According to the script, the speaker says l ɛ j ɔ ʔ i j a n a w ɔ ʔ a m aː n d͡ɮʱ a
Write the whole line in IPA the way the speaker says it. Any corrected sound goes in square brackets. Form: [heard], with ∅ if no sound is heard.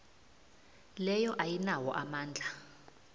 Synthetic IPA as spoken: l ɛ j ɔ ʔ [a] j [i] n a w ɔ ʔ a m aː n d͡ɮʱ a